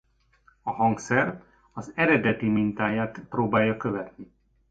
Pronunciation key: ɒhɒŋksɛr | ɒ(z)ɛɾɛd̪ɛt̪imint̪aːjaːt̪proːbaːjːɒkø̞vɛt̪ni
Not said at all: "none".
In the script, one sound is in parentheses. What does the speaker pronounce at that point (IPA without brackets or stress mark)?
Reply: z